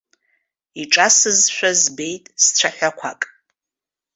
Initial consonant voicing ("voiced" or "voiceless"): voiceless